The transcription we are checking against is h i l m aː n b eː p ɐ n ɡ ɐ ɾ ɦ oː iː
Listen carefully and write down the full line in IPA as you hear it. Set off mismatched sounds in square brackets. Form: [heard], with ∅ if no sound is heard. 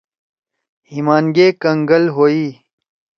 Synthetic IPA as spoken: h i [∅] m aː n [ɡ] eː [k] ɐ [ŋ] ɡ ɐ [l] ɦ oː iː